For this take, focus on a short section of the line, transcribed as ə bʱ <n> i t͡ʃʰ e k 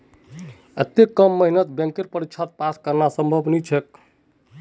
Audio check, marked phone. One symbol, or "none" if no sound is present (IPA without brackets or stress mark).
n